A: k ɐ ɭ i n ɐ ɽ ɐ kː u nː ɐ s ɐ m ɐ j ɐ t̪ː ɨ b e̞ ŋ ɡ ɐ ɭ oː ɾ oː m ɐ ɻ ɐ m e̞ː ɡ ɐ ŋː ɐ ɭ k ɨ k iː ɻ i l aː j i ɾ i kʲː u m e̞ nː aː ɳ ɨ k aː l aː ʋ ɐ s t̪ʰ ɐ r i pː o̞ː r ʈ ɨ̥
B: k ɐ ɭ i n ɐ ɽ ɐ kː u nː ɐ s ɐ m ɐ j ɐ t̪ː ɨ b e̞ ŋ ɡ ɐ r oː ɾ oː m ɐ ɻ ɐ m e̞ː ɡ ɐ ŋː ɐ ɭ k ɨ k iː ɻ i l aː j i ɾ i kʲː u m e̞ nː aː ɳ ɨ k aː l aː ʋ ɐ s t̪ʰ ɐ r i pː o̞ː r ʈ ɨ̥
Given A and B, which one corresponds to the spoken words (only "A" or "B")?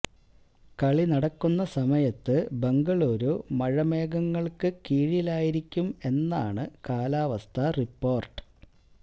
A